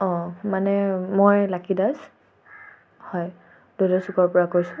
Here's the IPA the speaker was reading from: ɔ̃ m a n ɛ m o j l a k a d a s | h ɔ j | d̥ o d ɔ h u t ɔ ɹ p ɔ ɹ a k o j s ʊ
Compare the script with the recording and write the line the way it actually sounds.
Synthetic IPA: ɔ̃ m a n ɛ m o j l a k i d a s | h ɔ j | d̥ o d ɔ s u k ɔ ɹ p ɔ ɹ a k o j s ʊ